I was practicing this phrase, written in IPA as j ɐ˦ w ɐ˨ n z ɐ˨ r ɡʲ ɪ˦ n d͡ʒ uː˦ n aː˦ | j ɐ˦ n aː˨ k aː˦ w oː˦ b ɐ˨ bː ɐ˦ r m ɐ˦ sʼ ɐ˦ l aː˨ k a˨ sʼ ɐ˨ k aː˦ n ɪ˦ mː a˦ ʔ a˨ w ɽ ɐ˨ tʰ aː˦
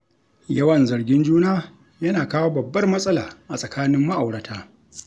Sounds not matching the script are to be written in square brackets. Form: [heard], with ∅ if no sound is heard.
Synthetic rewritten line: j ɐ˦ w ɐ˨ n z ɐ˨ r ɡʲ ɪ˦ n d͡ʒ uː˦ n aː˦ | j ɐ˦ n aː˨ k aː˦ w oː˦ b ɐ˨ bː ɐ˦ r m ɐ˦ sʼ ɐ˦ l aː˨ [ʔ] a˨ sʼ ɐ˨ k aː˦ n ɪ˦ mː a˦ ʔ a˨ w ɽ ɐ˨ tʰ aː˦